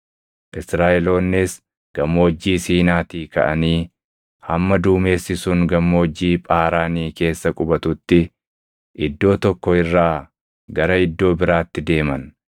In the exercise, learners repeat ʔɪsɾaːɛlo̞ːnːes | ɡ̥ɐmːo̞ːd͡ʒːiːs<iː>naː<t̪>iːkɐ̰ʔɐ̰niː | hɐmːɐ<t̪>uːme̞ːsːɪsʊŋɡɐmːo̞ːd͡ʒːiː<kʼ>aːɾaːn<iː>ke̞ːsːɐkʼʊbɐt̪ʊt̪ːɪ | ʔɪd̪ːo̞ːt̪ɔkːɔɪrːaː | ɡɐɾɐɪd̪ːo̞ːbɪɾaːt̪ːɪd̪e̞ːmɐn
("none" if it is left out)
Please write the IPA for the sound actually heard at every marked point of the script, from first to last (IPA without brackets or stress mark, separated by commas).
iː, t̪, d̪, pʼ, iː